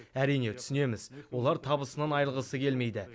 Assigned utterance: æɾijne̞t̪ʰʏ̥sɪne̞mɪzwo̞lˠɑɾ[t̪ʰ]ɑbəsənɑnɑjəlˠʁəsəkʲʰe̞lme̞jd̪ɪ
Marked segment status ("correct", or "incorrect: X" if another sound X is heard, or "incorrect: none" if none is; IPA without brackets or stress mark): correct